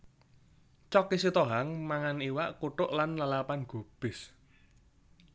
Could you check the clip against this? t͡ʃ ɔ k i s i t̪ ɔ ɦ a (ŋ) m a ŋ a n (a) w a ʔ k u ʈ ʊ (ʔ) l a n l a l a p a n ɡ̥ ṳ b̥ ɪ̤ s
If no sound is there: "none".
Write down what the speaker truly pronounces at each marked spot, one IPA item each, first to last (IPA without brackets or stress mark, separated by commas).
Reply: ŋ, i, ʔ